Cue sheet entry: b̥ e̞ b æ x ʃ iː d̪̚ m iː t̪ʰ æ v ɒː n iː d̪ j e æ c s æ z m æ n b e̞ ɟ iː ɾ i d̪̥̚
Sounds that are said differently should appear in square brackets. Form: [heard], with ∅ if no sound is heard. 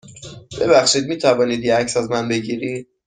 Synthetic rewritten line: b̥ e̞ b æ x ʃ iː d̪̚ m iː t̪ʰ æ v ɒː n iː d̪ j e æ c s æ z m æ n b e̞ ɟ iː ɾ i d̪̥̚

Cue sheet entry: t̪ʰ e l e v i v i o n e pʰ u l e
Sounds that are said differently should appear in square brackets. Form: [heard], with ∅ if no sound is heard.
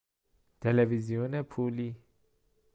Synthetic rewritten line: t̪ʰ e l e v i [z] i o n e pʰ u l [i]

